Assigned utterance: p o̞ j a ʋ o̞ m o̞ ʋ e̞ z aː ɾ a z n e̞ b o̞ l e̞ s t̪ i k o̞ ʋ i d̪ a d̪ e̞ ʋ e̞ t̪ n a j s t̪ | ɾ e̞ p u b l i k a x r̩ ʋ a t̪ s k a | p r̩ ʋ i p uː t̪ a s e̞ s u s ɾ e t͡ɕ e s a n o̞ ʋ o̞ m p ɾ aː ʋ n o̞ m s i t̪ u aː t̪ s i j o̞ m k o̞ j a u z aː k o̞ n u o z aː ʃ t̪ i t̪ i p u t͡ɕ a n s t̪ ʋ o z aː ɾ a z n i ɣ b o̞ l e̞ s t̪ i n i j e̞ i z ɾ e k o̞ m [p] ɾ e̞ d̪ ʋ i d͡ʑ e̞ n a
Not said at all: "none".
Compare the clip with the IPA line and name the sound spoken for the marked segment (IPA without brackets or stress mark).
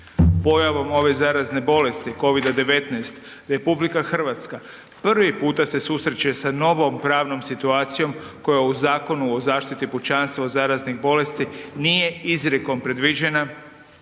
p